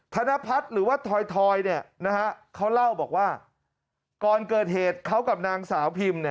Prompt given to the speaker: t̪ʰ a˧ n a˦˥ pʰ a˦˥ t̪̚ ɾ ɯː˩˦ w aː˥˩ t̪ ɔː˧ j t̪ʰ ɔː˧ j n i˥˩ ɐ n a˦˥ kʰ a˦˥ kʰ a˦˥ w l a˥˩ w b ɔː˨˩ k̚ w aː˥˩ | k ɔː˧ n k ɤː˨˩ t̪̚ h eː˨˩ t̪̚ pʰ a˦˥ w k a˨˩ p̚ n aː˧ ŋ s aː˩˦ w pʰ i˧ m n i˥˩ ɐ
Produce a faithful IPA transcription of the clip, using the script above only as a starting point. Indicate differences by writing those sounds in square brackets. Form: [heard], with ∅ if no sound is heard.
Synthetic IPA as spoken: t̪ʰ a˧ n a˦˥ pʰ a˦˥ t̪̚ ɾ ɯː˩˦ w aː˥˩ [t̪ʰ] ɔː˧ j t̪ʰ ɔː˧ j n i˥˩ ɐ n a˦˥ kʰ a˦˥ kʰ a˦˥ w l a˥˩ w b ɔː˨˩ k̚ w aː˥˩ | k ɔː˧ n k ɤː˨˩ t̪̚ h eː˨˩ t̪̚ [kʰ] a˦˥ w k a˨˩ p̚ n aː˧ ŋ s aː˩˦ w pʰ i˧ m n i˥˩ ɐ

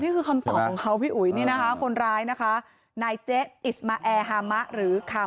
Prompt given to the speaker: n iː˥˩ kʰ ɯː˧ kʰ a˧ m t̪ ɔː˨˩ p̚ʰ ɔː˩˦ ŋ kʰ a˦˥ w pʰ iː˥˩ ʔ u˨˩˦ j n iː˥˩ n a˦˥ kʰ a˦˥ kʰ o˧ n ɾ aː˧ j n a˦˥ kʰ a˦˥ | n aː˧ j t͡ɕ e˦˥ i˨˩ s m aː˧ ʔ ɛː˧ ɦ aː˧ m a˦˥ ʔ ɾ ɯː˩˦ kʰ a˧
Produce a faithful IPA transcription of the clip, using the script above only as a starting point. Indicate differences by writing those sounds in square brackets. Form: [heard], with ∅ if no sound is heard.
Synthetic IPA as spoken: n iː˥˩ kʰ ɯː˧ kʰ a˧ m t̪ ɔː˨˩ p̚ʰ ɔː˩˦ ŋ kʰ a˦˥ w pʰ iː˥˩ ʔ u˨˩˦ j n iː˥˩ n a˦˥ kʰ a˦˥ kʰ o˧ n ɾ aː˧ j n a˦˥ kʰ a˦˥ | n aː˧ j t͡ɕ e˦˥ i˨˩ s m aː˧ ʔ ɛː˧ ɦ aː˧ m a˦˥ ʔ ɾ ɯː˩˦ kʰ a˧

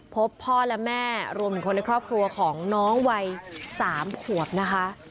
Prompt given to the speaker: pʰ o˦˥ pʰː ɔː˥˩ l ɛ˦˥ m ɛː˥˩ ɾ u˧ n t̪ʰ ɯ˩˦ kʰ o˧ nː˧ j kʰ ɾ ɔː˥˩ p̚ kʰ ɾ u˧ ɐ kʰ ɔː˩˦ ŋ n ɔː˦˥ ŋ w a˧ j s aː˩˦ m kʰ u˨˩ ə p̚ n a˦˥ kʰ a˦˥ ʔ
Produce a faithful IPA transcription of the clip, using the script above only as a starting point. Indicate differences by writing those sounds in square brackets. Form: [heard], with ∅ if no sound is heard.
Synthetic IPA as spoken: pʰ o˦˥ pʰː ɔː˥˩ l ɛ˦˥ m ɛː˥˩ ɾ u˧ [m] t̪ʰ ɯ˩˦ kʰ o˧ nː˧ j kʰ ɾ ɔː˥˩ p̚ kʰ ɾ u˧ ɐ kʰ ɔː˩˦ ŋ n ɔː˦˥ ŋ w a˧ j s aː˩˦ m kʰ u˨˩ ə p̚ n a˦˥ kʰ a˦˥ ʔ

